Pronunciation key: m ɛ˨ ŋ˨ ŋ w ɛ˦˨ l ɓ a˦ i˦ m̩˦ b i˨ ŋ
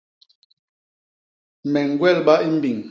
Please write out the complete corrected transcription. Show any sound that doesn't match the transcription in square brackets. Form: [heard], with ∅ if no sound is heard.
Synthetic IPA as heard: m ɛ˨ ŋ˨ [ɡ] w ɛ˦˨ l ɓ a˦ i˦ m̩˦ b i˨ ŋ